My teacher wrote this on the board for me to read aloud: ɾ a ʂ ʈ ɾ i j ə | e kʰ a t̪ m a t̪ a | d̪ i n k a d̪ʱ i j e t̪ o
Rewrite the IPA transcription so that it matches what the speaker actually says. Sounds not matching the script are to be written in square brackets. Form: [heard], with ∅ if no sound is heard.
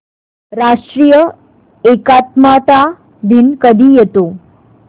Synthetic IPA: ɾ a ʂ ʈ ɾ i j ə | e [k] a t̪ m a t̪ a | d̪ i n k [ə] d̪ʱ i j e t̪ o